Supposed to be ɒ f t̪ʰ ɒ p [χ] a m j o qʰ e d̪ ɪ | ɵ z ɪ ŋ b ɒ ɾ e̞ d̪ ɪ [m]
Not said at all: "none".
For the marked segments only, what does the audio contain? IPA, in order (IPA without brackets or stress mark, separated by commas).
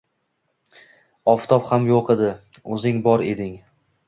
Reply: h, ŋ